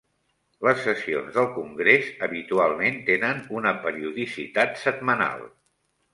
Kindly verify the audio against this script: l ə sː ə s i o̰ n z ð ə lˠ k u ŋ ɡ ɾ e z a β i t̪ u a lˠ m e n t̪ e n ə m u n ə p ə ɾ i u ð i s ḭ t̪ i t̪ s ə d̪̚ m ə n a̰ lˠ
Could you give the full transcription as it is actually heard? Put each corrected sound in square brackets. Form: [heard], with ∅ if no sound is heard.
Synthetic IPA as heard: l ə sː ə s i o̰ n z ð ə lˠ k u ŋ ɡ ɾ e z [ə] β i t̪ u a lˠ m e n t̪ e n ə [n] u n ə p ə ɾ i u ð i s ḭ t̪ [a] t̪ s ə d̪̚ m ə n a̰ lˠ